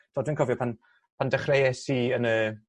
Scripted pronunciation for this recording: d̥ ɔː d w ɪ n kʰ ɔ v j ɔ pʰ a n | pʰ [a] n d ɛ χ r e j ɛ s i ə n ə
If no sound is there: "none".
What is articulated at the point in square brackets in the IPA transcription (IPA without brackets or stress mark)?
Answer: a